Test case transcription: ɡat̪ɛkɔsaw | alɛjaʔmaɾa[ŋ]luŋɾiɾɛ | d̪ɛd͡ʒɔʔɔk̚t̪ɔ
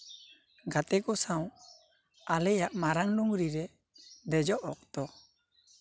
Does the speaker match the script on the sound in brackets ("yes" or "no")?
yes